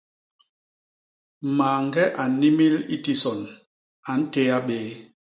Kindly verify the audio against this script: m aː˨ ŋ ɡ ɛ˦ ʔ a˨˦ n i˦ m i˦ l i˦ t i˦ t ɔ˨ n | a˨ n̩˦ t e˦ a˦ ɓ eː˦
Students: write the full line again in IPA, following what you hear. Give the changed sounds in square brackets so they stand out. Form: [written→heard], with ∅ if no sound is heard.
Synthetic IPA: m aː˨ ŋ ɡ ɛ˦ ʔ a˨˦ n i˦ m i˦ l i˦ t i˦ [t→s] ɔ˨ n | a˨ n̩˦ t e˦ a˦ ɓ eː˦